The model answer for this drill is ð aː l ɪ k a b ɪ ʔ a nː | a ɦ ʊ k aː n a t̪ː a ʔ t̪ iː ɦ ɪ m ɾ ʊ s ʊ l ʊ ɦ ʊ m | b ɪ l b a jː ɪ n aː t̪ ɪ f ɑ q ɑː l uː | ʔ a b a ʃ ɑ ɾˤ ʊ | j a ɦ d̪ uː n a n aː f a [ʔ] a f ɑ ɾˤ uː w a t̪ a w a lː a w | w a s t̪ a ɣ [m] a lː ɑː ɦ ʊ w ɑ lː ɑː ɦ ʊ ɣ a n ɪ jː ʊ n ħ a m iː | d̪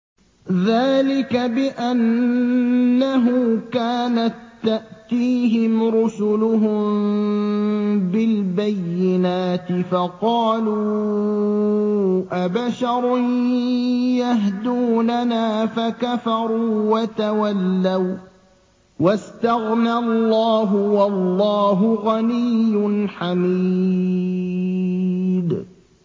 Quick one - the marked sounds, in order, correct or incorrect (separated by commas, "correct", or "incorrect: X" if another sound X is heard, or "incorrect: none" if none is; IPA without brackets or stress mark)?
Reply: incorrect: k, incorrect: n